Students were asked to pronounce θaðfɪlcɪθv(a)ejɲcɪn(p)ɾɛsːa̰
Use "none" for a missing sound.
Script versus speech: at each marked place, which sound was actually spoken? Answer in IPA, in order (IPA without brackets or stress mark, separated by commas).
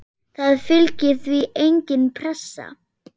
i, pʰ